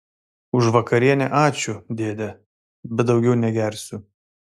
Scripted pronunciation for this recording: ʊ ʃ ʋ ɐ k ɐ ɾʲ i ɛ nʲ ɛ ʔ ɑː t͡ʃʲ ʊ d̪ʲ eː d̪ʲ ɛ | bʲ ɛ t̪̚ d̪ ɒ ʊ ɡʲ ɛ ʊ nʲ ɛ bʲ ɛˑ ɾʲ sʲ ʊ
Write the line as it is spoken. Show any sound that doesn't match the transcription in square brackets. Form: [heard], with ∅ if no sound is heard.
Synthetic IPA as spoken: ʊ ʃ ʋ ɐ k ɐ ɾʲ i ɛ nʲ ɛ ʔ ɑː t͡ʃʲ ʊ d̪ʲ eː d̪ʲ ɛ | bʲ ɛ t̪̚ d̪ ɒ ʊ ɡʲ ɛ ʊ nʲ ɛ [ɡʲ] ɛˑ ɾʲ sʲ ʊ

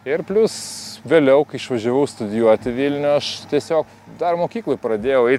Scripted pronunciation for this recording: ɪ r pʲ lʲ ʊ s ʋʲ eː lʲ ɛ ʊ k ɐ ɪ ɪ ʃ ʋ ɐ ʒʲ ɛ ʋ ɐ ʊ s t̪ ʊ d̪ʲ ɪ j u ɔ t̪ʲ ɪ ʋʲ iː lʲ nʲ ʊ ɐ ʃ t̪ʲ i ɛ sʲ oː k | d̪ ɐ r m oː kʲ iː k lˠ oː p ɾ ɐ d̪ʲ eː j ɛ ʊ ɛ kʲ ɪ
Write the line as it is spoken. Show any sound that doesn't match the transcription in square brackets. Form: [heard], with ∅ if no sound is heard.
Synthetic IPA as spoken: ɪ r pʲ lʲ ʊ s ʋʲ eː lʲ ɛ ʊ k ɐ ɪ ɪ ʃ ʋ ɐ ʒʲ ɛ ʋ ɐ ʊ s t̪ ʊ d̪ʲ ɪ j u ɔ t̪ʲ ɪ ʋʲ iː lʲ nʲ ʊ ɐ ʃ t̪ʲ i ɛ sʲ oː k | d̪ ɐ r m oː kʲ iː k lˠ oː p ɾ ɐ d̪ʲ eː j ɛ ʊ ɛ [∅] ɪ

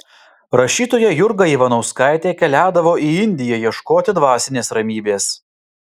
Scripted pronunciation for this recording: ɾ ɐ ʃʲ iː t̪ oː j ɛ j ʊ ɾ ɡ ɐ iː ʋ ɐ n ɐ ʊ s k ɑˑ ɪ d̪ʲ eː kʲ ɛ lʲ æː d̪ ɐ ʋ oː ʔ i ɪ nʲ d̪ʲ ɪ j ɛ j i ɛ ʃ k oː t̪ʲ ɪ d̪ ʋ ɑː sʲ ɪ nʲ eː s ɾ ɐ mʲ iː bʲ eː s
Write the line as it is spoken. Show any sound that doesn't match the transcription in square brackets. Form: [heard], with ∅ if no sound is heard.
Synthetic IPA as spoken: ɾ ɐ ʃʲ iː t̪ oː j ɛ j ʊ ɾ ɡ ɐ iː ʋ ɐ n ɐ ʊ s k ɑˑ ɪ [t̪ʲ] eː kʲ ɛ lʲ æː d̪ ɐ ʋ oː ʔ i ɪ nʲ d̪ʲ ɪ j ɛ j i ɛ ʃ k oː t̪ʲ ɪ d̪ ʋ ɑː sʲ ɪ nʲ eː s ɾ ɐ mʲ iː bʲ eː s

